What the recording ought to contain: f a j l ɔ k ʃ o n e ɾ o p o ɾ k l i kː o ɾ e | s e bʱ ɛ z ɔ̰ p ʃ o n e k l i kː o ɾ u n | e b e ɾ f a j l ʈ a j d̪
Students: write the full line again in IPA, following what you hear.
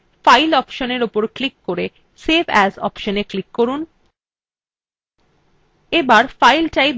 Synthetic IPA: f a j l ɔ p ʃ o n e ɾ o p o ɾ k l i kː o ɾ e | s e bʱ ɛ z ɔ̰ p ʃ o n e k l i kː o ɾ u n | e b a ɾ f a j l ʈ a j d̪